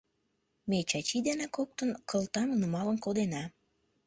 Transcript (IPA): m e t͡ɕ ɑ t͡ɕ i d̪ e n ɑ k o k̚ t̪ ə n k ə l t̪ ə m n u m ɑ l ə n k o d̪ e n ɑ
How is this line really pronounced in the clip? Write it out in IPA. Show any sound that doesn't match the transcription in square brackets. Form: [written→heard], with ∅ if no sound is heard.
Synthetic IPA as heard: m e t͡ɕ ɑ t͡ɕ i d̪ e n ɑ k o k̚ t̪ ə n k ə l t̪ [ə→ɑ] m n u m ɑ l ə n k o d̪ e n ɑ